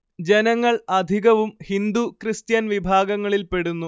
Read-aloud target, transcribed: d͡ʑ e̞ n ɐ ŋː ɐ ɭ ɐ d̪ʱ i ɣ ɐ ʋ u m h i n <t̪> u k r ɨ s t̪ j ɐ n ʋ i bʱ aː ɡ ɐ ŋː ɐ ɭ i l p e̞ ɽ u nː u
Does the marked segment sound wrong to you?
yes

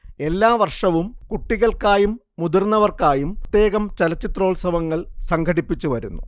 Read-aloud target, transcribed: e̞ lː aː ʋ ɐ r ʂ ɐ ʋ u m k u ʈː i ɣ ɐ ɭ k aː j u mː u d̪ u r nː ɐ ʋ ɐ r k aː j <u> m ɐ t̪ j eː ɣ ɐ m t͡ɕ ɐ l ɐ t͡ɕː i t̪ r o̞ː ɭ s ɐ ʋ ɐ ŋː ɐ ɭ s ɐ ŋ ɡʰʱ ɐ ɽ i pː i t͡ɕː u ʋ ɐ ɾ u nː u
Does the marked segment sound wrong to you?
no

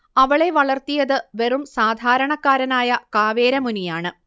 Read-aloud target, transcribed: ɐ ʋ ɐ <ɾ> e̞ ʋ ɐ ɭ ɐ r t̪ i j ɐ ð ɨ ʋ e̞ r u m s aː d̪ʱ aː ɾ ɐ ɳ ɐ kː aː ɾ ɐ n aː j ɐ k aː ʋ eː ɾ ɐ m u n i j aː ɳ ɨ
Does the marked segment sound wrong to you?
yes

